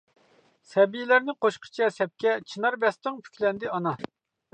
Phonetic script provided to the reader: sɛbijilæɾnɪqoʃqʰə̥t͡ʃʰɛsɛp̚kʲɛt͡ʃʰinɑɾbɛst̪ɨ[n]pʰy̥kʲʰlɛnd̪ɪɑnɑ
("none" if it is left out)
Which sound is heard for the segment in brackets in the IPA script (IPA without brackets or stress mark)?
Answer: ŋ